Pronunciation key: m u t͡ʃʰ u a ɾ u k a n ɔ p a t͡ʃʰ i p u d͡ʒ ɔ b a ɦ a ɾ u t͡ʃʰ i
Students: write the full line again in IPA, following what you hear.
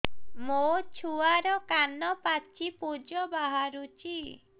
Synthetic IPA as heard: m o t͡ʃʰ u a ɾ ɔ k a n ɔ p a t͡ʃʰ i p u d͡ʒ ɔ b a ɦ a ɾ u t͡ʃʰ i